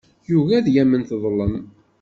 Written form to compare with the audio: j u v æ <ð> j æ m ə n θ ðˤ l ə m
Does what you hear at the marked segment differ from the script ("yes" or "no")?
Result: no